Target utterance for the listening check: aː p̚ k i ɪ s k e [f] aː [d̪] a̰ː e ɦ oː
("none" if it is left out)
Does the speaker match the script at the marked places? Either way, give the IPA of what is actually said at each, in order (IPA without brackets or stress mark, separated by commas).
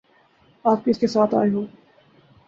s, t̪